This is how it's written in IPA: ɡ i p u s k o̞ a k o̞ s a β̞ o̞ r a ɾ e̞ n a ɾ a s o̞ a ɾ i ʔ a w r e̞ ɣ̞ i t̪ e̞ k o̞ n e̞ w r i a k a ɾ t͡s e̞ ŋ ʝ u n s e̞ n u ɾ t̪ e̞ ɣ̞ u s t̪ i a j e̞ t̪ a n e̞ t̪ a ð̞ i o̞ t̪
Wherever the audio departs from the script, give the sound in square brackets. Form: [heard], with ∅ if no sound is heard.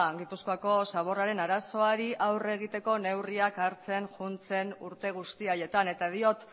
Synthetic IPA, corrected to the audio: ɡ i p u s k o̞ a k o̞ s a β̞ o̞ r a ɾ e̞ n a ɾ a s o̞ a ɾ i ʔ a w r e̞ ɣ̞ i t̪ e̞ k o̞ n e̞ w r i a k a ɾ t͡s e̞ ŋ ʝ u n [t͡s] e̞ n u ɾ t̪ e̞ ɣ̞ u s t̪ i a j e̞ t̪ a n e̞ t̪ a ð̞ i o̞ t̪